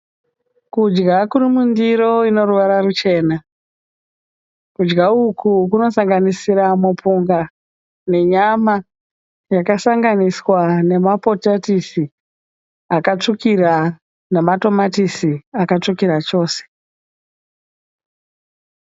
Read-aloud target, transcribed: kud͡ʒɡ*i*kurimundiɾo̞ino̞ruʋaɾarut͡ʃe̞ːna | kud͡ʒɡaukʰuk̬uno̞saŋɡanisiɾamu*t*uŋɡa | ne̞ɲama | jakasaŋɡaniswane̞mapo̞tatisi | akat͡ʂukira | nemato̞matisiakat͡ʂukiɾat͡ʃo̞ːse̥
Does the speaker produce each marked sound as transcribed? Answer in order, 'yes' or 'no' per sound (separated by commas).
no, no